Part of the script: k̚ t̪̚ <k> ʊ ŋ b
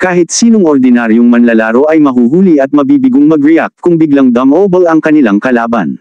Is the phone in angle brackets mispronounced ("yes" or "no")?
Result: no